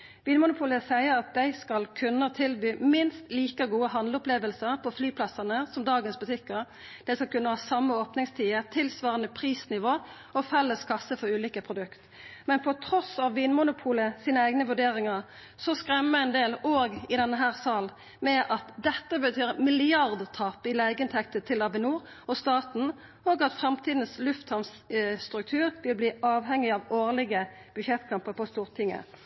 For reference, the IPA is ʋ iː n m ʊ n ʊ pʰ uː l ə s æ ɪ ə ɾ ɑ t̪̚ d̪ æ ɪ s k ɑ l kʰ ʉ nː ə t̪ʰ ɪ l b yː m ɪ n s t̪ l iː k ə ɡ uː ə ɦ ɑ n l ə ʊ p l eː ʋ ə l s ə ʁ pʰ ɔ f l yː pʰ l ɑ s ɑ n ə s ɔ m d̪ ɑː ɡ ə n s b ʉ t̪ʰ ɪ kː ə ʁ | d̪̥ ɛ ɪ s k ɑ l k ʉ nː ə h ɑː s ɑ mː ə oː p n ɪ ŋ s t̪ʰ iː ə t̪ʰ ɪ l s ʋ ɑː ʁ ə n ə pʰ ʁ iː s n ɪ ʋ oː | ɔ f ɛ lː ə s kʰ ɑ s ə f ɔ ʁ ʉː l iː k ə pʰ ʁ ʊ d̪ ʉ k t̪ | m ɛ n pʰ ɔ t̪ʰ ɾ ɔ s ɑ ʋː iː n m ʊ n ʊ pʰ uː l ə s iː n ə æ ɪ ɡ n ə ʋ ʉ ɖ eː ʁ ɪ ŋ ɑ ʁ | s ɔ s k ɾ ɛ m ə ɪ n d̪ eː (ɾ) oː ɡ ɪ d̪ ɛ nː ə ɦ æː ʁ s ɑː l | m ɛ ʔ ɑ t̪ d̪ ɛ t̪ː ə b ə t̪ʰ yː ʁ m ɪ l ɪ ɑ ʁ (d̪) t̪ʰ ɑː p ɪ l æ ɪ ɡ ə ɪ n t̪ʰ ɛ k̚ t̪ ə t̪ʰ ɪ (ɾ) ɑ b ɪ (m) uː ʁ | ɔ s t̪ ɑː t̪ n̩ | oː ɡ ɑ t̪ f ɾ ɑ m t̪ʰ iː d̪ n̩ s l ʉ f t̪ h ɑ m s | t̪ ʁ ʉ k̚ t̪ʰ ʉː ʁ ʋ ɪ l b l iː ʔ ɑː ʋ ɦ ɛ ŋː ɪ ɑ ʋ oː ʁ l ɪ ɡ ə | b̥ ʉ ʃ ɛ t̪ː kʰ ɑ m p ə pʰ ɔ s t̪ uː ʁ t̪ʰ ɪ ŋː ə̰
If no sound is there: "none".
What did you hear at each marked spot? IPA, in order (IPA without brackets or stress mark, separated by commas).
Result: l, d̪, l, n